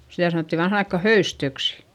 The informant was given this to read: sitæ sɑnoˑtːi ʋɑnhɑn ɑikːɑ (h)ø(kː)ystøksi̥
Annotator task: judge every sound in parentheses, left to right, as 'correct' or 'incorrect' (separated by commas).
correct, incorrect